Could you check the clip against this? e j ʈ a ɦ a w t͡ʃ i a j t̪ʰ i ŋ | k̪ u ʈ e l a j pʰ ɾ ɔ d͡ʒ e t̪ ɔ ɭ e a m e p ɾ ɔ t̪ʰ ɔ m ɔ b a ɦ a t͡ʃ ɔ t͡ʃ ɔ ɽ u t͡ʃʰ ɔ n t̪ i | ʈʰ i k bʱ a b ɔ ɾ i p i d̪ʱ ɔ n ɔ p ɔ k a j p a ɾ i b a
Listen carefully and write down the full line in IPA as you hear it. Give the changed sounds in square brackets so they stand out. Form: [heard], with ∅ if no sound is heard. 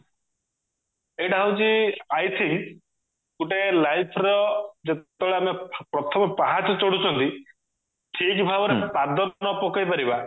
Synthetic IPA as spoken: e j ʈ a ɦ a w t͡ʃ i a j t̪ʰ i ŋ | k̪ u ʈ e l a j pʰ ɾ ɔ d͡ʒ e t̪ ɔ ɭ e a m e p ɾ ɔ t̪ʰ ɔ m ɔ [p] a ɦ a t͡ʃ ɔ t͡ʃ ɔ ɽ u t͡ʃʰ ɔ n t̪ i | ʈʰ i k bʱ a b ɔ ɾ [e] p [a] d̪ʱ ɔ n ɔ p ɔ k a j p a ɾ i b a